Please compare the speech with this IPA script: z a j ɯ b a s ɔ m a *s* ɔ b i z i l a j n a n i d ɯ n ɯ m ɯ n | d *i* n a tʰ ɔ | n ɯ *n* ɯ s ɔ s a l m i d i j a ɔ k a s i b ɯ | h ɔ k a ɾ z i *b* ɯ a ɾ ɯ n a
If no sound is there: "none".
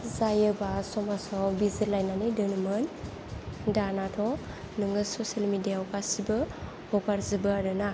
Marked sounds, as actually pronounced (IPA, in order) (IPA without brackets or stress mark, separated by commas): s, a, ŋ, b